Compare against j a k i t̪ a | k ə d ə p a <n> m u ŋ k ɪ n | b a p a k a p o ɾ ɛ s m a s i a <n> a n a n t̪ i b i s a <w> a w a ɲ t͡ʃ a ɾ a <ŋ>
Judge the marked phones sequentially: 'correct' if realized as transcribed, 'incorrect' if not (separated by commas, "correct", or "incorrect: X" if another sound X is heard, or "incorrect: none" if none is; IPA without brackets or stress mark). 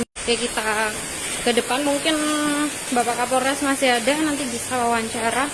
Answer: correct, incorrect: d, correct, incorrect: none